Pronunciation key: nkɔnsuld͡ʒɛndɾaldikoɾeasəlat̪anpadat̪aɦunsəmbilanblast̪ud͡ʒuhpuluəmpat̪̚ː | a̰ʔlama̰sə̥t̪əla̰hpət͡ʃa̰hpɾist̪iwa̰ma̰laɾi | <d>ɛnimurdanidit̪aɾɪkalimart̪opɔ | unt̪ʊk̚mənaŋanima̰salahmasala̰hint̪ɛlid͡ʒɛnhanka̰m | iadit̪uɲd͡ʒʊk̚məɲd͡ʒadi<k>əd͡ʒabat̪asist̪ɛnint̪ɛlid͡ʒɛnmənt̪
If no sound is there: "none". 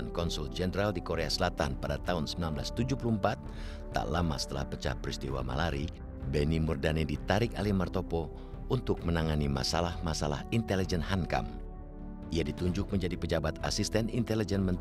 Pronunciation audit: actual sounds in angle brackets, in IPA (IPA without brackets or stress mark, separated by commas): b, p